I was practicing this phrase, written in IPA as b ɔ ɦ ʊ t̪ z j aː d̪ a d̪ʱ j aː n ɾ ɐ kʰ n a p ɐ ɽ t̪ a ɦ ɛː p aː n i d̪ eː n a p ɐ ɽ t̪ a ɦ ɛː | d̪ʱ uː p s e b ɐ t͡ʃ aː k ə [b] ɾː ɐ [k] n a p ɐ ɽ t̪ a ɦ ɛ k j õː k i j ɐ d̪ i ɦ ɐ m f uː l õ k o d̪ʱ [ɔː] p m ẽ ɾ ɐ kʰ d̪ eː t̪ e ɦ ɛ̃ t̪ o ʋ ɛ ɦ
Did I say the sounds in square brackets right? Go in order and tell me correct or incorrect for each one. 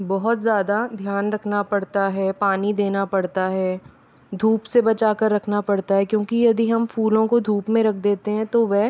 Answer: incorrect, incorrect, incorrect

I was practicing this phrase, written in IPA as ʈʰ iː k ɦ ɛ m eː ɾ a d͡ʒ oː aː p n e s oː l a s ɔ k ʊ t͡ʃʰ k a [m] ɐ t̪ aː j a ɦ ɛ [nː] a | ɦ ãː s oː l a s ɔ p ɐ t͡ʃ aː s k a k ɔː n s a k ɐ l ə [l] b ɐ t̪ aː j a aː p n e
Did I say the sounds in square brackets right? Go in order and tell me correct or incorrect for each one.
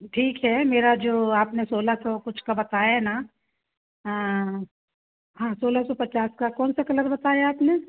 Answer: incorrect, incorrect, incorrect

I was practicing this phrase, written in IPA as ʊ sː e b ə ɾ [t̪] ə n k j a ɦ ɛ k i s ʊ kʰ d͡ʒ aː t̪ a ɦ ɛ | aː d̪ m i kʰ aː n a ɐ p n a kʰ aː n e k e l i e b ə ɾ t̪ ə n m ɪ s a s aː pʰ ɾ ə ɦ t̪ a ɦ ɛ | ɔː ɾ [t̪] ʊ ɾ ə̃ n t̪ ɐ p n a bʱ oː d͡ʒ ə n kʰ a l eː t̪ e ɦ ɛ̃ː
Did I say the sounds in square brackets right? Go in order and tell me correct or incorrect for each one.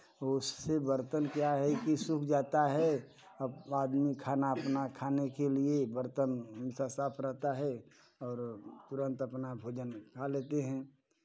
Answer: correct, correct

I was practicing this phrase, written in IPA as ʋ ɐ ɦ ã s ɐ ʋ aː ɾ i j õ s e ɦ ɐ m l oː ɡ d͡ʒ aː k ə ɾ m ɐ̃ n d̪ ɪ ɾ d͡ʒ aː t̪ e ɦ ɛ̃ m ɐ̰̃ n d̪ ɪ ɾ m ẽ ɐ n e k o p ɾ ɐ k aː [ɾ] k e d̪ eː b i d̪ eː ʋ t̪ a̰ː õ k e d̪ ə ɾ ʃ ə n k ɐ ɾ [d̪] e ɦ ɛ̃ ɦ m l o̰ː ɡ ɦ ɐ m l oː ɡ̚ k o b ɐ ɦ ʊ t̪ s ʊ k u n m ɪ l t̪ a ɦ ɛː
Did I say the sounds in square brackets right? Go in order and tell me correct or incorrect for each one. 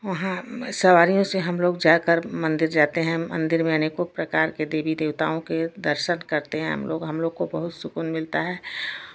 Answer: correct, incorrect

